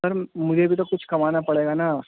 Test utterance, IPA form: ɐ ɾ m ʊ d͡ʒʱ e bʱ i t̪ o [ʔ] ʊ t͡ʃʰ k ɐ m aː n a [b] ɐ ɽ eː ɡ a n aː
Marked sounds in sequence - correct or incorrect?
incorrect, incorrect

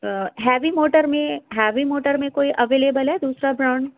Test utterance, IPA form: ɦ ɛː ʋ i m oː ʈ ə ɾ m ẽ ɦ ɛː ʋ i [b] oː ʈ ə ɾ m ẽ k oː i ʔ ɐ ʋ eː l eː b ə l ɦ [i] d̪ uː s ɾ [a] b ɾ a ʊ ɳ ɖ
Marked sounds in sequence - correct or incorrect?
incorrect, incorrect, correct

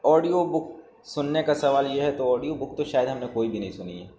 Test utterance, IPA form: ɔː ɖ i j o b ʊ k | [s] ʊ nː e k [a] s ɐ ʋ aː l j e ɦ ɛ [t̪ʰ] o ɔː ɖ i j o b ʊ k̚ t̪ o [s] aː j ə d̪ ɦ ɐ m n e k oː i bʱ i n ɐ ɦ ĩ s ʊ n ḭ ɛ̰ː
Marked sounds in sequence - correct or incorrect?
correct, correct, incorrect, incorrect

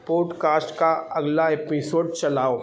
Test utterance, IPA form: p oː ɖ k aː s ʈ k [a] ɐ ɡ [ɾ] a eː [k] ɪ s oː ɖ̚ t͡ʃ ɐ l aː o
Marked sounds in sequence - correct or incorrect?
correct, incorrect, incorrect

